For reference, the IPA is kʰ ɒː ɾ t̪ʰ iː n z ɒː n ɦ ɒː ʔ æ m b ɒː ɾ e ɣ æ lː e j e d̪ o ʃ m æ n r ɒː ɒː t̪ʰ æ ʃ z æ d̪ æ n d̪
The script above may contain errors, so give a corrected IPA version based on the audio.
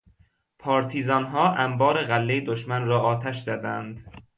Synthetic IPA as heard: pʰ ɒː ɾ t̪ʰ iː z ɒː n ɦ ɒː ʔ æ m b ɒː ɾ e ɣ æ lː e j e d̪ o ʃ m æ n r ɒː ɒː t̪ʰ æ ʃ z æ d̪ æ n d̪

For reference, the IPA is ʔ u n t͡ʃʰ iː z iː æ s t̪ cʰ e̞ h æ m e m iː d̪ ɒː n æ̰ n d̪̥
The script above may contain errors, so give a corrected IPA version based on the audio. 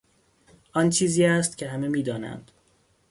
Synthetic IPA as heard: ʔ ɒ n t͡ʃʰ iː z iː æ s t̪ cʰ e̞ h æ m e m iː d̪ ɒː n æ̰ n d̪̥

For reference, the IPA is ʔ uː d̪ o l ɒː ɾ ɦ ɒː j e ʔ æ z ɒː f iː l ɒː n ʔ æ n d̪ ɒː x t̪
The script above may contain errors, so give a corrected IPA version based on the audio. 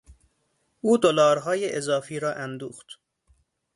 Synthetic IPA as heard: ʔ uː d̪ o l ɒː ɾ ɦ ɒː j e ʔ e z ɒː f iː ɾ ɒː ʔ æ n d̪ uː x t̪

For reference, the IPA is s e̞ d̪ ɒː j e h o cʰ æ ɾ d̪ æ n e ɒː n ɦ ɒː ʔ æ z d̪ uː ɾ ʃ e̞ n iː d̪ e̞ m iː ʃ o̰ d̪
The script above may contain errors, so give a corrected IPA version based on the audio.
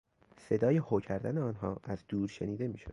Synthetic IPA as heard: s e̞ d̪ ɒː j e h o cʰ æ ɾ d̪ æ n e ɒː n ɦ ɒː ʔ æ z d̪ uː ɾ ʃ e̞ n iː d̪ e̞ m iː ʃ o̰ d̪

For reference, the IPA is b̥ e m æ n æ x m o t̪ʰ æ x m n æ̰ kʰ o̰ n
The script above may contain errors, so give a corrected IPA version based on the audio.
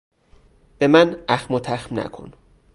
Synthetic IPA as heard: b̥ e m æ n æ x m o t̪ʰ æ x m n æ̰ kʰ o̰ n

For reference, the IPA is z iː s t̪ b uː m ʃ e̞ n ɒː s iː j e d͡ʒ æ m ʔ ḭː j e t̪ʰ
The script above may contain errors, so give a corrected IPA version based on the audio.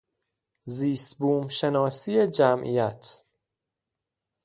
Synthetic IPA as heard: z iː s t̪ b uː m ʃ e̞ n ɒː s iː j e d͡ʒ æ m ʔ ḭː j æ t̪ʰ

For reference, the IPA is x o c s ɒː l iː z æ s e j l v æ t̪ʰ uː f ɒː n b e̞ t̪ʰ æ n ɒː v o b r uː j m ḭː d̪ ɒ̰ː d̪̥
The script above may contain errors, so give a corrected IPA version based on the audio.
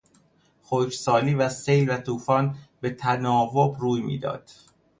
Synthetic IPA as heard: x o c s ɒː l iː v æ s e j l v æ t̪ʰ uː f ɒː n b e̞ t̪ʰ æ n ɒː v o b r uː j m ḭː d̪ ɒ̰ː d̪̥

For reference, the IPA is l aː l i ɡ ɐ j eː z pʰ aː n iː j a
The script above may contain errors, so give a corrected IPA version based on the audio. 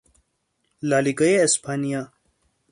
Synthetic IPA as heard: l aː l i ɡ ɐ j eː s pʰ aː n i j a

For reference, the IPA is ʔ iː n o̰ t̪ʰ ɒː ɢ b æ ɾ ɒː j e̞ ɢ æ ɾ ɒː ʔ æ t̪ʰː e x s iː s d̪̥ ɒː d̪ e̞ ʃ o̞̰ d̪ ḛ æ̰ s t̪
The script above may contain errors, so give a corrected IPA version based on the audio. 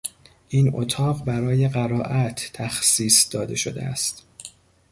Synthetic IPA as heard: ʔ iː n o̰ t̪ʰ ɒː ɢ b æ ɾ ɒː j e̞ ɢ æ ɾ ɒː ʔ æ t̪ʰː æ x s iː s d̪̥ ɒː d̪ e̞ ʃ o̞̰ d̪ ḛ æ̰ s t̪

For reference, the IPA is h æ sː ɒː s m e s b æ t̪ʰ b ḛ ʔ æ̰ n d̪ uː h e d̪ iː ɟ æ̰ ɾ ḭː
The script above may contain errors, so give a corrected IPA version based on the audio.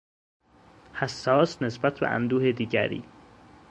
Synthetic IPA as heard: h æ sː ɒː s n e s b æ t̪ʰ b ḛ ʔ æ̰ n d̪ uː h e d̪ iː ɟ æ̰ ɾ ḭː

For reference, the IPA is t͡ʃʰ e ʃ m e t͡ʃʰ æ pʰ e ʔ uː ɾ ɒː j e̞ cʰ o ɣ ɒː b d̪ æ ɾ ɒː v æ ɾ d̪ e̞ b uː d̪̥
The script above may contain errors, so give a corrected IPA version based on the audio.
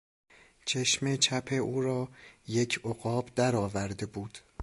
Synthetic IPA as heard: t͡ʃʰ e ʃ m e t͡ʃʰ æ pʰ e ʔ uː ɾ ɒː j e̞ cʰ o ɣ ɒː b d̪ æ ɾ ɒː v æ ɾ d̪ e̞ b uː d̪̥

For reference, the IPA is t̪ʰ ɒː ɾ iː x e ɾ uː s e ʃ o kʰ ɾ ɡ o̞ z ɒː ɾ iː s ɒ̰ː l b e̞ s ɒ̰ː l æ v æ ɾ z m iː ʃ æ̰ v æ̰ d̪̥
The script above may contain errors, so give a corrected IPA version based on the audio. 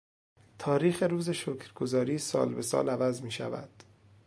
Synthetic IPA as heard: t̪ʰ ɒː ɾ iː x e ɾ uː z e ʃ o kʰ ɾ ɡ o̞ z ɒː ɾ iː s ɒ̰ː l b e̞ s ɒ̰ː l æ v æ z m iː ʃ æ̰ v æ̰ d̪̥

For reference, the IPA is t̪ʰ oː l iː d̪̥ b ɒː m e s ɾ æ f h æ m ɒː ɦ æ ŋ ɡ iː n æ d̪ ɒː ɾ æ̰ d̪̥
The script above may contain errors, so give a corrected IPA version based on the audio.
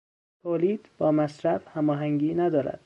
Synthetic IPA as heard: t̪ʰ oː l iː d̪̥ b ɒː m æ s ɾ æ f h æ m ɒː ɦ æ ŋ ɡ iː n æ d̪ ɒː ɾ æ̰ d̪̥

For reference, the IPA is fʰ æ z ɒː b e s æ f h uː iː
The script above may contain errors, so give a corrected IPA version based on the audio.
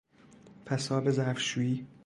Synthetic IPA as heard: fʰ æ s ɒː b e z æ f ʃ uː iː

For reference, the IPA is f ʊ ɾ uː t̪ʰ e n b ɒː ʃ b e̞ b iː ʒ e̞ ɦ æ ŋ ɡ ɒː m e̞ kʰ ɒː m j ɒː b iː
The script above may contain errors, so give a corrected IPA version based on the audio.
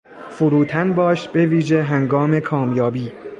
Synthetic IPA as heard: f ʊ ɾ uː t̪ʰ æ n b ɒː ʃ b e̞ v iː ʒ e̞ ɦ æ ŋ ɡ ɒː m e̞ kʰ ɒː m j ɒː b iː

